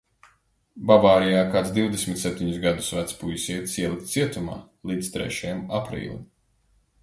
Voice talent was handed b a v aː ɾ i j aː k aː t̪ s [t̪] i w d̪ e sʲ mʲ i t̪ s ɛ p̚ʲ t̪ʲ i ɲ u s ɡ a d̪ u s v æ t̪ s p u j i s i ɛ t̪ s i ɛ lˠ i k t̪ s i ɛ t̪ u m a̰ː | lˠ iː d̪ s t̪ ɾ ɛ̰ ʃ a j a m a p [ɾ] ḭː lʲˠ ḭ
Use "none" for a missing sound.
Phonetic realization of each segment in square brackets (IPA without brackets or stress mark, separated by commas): d̪, ɾ